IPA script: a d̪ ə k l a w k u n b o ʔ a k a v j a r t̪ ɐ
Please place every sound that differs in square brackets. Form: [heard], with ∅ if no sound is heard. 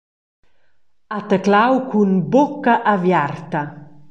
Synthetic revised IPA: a [t̪] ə k l a w k u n b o [k] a [ʔ] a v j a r t̪ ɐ

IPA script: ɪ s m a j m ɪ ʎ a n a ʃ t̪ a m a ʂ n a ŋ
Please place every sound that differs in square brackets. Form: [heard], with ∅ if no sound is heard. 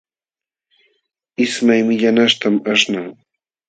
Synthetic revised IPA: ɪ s m a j m ɪ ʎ a n a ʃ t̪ a m a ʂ n a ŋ

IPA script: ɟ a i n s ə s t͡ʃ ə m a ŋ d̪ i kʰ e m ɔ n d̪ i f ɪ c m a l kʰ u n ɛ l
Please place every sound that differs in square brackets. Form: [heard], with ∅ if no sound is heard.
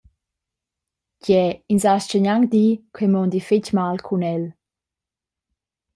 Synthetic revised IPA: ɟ [ɛ] i n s [a] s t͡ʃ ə [ɲ] a ŋ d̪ i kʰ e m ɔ n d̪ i f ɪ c m a l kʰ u n ɛ l

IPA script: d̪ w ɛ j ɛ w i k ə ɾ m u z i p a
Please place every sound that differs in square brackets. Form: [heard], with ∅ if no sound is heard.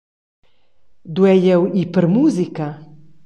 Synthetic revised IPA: d̪ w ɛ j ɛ w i [p] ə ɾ m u z i [k] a

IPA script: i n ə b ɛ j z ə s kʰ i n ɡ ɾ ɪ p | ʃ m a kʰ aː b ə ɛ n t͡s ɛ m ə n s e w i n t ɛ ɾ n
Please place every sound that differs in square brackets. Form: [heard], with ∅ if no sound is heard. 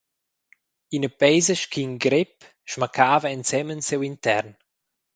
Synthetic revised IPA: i n ə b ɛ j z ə [ʃ] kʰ i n ɡ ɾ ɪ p | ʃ m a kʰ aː [v] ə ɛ n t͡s ɛ m ə n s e w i n t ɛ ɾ n

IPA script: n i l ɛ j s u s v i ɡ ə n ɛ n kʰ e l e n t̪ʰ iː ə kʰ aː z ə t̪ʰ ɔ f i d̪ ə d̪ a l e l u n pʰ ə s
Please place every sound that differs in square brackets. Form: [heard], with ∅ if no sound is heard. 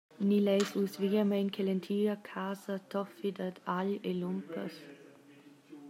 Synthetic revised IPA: n i l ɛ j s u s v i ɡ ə [m] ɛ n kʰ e l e n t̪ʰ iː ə kʰ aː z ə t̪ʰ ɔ f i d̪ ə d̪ a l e l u [m] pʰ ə s

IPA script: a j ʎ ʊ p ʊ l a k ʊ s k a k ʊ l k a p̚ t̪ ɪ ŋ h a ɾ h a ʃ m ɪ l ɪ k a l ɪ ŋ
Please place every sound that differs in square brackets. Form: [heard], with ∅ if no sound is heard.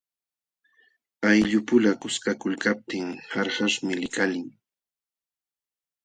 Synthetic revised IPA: a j ʎ ʊ p ʊ l a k ʊ s k a k ʊ l k a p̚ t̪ ɪ ŋ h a ɾ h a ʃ m ɪ l ɪ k a l ɪ ŋ

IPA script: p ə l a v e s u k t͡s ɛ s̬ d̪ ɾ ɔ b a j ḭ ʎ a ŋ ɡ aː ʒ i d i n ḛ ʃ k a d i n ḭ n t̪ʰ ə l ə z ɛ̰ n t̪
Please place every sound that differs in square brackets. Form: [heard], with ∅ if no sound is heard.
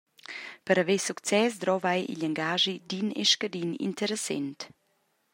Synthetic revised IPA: p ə [ɾ] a v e s u k t͡s ɛ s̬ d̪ ɾ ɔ [v] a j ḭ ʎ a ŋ ɡ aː ʒ i d i n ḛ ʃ k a d i n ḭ n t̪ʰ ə [ɾ] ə [s] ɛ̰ n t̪

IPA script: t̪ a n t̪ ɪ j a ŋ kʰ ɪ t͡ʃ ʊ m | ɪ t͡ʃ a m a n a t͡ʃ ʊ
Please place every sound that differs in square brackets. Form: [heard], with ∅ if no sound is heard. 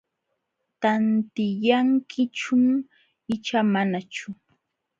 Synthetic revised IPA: t̪ a n t̪ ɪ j a ŋ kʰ ɪ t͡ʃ ʊ m | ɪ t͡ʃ a m a n a t͡ʃ ʊ

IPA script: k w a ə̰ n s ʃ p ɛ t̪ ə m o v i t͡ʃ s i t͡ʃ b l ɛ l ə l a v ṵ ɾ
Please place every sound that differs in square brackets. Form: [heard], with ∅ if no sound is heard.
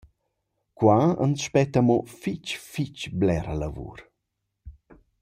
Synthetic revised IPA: k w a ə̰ n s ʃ p ɛ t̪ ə m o [f] i t͡ʃ [f] i t͡ʃ b l ɛ [ɾ] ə l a v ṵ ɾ

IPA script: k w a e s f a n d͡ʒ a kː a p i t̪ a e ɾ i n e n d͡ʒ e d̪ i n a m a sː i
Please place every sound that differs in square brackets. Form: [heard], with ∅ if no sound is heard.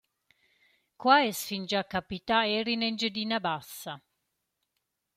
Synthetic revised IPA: k w a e s f [i] n d͡ʒ a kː a p i t̪ a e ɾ i n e n d͡ʒ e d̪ i n a [b] a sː [a]

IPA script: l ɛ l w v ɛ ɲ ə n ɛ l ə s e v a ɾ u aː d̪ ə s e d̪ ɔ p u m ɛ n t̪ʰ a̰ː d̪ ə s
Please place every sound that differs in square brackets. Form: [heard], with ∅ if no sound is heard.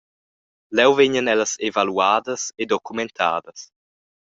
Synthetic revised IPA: l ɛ [∅] w v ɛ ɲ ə n ɛ l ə s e v a [l] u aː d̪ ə s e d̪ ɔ [k] u m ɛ n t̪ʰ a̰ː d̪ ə s

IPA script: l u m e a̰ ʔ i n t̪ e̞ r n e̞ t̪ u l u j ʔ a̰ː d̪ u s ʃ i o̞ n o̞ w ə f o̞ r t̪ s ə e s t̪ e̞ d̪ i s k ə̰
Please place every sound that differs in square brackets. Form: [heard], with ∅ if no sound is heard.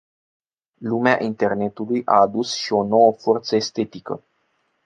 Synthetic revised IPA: l u m e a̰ ʔ i n t̪ e̞ r n e̞ t̪ u l u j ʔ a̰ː d̪ u s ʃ i o̞ n o̞ w ə f o̞ r t̪ s ə e s t̪ e̞ [t̪] i [∅] k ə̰

